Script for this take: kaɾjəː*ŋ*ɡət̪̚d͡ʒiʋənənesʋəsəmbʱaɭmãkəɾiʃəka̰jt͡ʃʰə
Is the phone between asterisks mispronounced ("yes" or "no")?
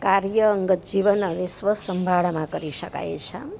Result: no